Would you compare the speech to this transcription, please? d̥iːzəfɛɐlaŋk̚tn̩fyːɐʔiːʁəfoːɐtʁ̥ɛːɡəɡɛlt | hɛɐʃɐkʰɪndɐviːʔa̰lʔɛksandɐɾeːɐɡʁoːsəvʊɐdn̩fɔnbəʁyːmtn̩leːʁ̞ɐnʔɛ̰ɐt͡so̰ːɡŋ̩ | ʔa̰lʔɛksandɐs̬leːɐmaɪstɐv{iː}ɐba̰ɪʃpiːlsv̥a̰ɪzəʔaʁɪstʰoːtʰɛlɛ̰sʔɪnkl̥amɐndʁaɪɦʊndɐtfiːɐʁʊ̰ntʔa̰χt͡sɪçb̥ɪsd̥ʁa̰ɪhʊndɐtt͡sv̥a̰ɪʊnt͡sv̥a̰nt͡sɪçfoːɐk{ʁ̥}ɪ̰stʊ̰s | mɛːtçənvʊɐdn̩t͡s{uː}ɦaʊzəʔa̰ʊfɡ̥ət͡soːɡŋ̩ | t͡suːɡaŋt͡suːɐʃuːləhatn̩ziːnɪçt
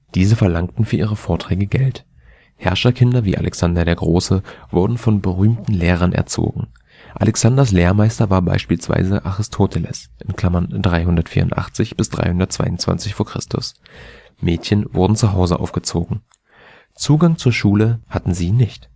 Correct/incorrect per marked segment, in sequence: incorrect: aː, correct, incorrect: u

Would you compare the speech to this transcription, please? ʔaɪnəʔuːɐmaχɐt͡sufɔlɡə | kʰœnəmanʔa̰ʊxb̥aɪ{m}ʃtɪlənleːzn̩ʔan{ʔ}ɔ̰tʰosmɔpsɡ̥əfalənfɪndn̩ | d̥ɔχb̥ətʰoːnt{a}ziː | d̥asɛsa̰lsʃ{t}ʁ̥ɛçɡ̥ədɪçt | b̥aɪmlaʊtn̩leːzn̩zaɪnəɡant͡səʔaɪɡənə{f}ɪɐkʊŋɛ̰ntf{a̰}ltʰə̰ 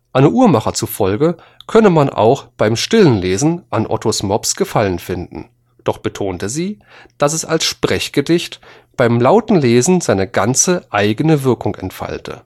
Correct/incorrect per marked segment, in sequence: correct, correct, incorrect: ə, incorrect: p, incorrect: v, correct

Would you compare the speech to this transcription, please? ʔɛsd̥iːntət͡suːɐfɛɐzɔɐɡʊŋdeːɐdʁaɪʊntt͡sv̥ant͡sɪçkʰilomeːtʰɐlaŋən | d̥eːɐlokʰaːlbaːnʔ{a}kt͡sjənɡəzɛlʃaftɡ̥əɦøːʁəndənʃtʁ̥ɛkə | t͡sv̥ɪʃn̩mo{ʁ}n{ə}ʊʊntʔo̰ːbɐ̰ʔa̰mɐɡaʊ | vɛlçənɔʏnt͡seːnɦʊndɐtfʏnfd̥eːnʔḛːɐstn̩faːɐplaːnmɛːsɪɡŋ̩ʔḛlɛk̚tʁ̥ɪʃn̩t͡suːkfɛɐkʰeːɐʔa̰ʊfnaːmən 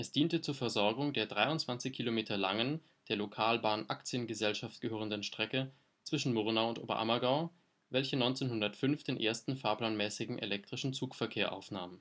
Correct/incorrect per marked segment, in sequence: correct, correct, incorrect: a

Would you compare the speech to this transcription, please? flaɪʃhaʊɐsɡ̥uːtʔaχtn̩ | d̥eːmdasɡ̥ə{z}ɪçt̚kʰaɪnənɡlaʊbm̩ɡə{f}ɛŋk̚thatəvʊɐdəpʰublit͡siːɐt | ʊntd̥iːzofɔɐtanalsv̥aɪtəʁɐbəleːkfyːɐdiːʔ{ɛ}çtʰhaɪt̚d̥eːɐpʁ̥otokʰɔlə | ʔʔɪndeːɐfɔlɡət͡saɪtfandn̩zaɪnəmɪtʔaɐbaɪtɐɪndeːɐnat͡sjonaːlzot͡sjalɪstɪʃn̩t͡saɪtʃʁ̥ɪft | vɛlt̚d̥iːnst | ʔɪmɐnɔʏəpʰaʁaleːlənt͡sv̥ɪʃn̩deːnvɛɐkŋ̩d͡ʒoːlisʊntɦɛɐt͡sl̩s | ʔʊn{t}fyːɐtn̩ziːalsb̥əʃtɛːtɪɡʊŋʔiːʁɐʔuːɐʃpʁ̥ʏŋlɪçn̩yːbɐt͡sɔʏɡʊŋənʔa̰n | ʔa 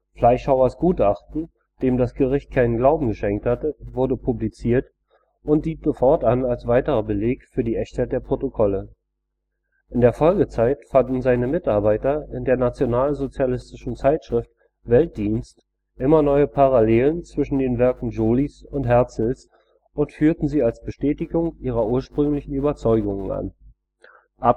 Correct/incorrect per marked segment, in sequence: incorrect: ʁ, incorrect: ʃ, correct, correct

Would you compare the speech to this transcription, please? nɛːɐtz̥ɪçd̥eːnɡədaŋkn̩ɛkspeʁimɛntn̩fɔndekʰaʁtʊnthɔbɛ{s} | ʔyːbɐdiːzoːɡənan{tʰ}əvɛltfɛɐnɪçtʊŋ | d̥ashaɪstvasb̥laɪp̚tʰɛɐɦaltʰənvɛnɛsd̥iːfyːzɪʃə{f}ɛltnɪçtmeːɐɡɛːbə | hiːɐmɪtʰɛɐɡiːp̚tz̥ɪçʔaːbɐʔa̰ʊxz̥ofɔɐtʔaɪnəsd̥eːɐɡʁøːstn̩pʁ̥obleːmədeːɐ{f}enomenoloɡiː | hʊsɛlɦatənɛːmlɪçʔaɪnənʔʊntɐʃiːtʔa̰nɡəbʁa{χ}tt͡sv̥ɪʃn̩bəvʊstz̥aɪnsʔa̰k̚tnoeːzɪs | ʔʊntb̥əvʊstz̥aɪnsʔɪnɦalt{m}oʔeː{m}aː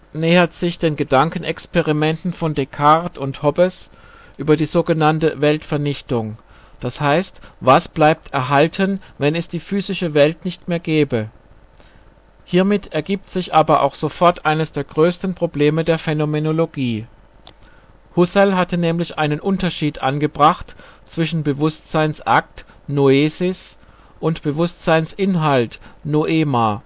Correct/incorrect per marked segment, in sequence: correct, incorrect: t, incorrect: v, correct, correct, incorrect: n, correct

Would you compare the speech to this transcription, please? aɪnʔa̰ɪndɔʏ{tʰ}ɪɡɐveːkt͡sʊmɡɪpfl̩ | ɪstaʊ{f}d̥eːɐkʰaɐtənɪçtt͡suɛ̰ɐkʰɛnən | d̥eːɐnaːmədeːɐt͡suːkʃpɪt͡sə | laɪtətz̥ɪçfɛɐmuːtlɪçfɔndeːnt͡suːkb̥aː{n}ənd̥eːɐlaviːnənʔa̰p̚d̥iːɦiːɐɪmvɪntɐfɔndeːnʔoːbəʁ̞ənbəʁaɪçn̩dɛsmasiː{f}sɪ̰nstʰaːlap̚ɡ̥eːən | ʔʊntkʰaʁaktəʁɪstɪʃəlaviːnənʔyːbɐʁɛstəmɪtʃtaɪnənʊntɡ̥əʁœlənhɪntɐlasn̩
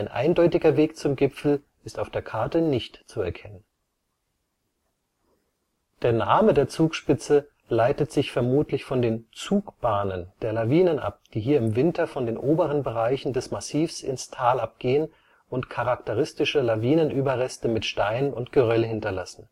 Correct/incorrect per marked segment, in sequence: incorrect: t, correct, correct, correct

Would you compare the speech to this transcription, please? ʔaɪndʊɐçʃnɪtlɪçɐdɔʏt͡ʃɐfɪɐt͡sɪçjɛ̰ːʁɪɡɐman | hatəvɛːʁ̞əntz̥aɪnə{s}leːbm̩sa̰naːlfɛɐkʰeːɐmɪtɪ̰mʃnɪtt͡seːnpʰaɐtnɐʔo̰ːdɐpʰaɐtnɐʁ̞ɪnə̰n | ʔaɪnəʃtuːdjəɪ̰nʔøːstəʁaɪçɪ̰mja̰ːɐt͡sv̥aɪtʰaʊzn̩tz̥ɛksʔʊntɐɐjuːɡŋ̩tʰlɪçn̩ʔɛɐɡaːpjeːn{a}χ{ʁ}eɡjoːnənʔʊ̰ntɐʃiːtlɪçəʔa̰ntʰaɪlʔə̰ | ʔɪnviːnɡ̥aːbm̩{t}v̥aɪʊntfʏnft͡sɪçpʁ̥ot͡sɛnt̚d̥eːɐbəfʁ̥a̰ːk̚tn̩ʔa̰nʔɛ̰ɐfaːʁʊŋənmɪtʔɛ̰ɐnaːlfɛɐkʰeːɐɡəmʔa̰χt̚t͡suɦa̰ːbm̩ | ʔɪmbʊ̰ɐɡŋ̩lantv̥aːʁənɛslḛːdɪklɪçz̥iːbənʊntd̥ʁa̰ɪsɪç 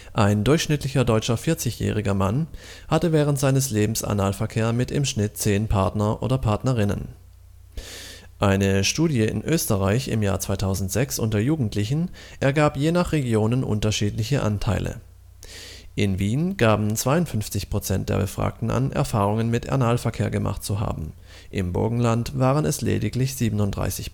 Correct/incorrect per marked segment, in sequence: correct, correct, correct, incorrect: t͡s

